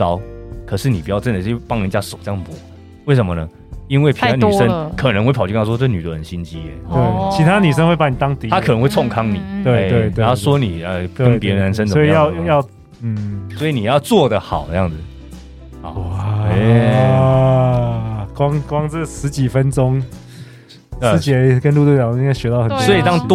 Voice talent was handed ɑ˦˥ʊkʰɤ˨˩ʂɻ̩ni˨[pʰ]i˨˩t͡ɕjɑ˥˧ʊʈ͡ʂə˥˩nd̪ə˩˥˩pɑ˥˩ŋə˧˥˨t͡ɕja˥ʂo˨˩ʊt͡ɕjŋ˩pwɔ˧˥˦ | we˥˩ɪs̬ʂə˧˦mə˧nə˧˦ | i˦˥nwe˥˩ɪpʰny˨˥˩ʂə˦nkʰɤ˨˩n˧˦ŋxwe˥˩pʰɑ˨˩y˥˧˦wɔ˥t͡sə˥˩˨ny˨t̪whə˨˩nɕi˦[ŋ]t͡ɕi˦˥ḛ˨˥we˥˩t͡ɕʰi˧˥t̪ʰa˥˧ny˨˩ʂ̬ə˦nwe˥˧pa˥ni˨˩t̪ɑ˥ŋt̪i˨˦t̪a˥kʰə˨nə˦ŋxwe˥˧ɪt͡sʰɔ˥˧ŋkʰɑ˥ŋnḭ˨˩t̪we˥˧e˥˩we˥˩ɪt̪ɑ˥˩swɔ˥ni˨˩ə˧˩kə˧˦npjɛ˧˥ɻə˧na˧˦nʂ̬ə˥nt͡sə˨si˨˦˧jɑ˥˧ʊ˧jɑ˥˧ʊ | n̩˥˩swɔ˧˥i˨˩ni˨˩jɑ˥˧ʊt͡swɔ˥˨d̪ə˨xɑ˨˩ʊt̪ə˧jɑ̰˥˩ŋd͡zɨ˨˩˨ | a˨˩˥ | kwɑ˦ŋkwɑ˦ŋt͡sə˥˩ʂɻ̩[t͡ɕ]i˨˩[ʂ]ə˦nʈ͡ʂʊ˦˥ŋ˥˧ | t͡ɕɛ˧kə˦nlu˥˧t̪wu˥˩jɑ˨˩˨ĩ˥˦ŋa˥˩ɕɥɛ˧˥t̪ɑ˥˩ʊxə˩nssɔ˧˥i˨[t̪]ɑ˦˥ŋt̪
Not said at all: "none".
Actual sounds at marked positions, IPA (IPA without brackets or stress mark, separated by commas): p, n, t͡ɕ, f, t̪